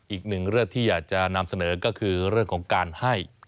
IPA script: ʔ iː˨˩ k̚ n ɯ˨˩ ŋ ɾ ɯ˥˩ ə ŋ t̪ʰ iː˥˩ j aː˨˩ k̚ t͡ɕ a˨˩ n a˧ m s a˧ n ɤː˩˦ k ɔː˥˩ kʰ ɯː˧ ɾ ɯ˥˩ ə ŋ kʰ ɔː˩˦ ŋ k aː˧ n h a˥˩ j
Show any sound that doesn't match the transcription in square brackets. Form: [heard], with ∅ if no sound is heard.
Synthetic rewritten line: ʔ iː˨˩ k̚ n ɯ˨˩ ŋ ɾ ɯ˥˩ ə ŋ t̪ʰ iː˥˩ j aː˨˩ k̚ t͡ɕ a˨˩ n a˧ m s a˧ n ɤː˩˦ k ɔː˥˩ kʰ ɯː˧ ɾ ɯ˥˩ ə ŋ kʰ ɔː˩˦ ŋ k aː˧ n h a˥˩ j

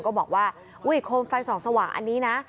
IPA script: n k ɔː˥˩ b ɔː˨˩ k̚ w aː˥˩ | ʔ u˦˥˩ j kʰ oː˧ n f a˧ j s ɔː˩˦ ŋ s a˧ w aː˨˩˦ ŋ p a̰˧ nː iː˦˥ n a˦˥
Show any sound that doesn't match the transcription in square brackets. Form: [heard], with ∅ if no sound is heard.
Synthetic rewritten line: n k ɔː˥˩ b ɔː˨˩ k̚ w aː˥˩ | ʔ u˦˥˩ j kʰ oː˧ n f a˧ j s ɔː˩˦ ŋ s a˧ w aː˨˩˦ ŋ [ʔ] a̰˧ nː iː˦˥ n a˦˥

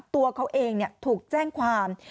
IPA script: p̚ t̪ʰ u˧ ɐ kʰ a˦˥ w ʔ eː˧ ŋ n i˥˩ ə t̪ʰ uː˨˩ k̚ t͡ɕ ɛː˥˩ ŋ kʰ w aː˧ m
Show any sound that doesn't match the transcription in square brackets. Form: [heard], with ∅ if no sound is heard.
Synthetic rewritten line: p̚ [t̪] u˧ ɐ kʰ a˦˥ w ʔ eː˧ ŋ n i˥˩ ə t̪ʰ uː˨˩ k̚ t͡ɕ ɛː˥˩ ŋ kʰ w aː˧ m

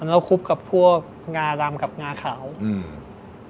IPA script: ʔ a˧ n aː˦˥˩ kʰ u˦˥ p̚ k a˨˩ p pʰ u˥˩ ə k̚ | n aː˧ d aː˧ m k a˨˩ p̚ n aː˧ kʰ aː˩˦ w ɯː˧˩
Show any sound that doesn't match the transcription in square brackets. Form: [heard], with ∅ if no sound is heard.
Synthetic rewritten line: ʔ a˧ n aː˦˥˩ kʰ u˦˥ p̚ k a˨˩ p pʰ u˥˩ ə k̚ | [ŋ] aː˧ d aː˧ m k a˨˩ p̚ [ŋ] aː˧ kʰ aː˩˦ w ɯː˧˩

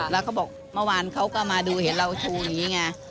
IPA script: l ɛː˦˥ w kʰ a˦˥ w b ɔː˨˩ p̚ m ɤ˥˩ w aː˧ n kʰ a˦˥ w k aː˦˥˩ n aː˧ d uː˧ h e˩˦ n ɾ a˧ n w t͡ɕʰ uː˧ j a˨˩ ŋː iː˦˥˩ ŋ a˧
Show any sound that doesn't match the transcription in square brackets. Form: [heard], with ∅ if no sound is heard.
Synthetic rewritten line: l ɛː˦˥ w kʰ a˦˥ w b ɔː˨˩ [k̚] m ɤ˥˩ w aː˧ n kʰ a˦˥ w k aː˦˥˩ [m] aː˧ d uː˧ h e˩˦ n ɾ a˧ [∅] w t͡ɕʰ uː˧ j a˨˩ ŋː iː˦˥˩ ŋ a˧

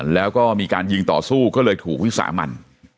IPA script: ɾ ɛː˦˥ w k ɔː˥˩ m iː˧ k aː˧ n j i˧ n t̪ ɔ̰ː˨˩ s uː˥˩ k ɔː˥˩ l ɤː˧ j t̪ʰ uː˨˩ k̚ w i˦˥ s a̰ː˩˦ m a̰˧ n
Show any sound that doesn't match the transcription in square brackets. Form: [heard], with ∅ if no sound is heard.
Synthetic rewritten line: [l] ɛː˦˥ w k ɔː˥˩ m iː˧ k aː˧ n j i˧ [ŋ] t̪ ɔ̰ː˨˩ s uː˥˩ k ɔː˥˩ l ɤː˧ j t̪ʰ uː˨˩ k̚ w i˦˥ s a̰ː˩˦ m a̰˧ n

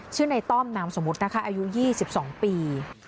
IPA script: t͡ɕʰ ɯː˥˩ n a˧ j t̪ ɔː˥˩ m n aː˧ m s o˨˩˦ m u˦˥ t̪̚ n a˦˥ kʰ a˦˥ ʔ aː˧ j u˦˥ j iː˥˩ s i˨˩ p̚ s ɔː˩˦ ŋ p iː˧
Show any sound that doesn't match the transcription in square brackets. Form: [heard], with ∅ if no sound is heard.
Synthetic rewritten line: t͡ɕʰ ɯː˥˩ n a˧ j t̪ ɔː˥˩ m n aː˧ m s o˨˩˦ m u˦˥ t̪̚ n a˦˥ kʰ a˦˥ ʔ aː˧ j u˦˥ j iː˥˩ s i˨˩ p̚ s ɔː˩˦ ŋ p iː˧

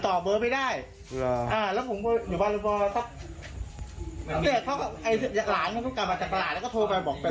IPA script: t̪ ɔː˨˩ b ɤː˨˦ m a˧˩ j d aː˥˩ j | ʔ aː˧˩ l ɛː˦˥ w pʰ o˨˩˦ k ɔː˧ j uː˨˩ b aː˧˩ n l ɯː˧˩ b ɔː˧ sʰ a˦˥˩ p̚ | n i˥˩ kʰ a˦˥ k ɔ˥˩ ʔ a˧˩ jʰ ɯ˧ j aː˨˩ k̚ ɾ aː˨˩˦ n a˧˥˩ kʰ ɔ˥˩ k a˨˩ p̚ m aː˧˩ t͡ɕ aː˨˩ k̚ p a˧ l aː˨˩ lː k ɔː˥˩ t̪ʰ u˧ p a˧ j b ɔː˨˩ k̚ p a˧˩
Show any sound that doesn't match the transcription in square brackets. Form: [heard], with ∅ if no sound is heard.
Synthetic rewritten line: t̪ ɔː˨˩ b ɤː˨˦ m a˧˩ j d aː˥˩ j | ʔ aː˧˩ l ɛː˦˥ w pʰ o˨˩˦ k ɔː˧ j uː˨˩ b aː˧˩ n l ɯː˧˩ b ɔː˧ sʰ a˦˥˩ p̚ | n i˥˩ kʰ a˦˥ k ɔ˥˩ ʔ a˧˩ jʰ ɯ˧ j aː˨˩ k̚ [l] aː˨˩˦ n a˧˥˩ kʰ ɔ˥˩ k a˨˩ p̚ m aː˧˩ t͡ɕ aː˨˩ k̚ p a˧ l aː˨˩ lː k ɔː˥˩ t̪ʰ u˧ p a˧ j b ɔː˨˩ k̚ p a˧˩

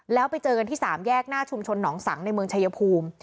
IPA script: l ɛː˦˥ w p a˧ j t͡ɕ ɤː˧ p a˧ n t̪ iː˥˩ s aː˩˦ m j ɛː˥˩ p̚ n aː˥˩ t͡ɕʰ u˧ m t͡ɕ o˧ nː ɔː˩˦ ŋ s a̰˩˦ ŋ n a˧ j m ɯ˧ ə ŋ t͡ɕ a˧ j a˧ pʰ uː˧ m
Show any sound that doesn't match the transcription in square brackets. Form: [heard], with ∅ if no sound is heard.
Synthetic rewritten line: l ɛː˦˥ w p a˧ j t͡ɕ ɤː˧ [k] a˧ n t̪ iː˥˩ s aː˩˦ m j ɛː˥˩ [k̚] n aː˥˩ t͡ɕʰ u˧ m [t͡ɕʰ] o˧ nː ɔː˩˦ ŋ s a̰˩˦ ŋ n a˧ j m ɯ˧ ə ŋ [t͡ɕʰ] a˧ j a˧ pʰ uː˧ m

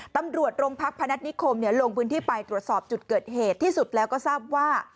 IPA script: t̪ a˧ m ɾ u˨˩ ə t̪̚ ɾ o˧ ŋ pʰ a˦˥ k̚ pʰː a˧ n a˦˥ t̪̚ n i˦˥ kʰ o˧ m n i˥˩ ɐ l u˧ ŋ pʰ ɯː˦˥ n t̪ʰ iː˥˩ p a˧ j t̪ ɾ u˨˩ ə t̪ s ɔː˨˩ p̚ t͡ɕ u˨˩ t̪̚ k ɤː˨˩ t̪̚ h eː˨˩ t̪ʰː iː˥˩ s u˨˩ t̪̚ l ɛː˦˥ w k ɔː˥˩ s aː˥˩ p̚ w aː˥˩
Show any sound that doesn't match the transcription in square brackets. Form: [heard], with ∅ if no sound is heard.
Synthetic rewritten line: t̪ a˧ m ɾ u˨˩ ə t̪̚ ɾ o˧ ŋ pʰ a˦˥ k̚ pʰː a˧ n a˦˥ t̪̚ n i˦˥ kʰ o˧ m n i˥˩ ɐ l [o˧] ŋ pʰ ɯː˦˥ n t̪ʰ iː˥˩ p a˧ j t̪ ɾ u˨˩ ə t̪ s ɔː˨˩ p̚ t͡ɕ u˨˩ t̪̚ k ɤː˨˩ t̪̚ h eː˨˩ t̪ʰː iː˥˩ s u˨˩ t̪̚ l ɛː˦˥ w k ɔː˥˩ s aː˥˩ p̚ w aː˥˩

